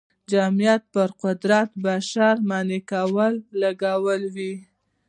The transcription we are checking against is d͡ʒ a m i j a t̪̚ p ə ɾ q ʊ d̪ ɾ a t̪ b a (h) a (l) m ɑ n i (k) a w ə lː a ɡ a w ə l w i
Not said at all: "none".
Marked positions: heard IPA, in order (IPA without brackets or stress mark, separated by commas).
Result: ʃ, ɾ, k